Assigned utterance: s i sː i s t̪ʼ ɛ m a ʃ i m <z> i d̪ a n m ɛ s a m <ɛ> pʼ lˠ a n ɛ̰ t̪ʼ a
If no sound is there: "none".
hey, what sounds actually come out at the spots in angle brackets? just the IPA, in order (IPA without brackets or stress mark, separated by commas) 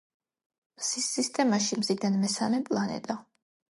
z, ɛ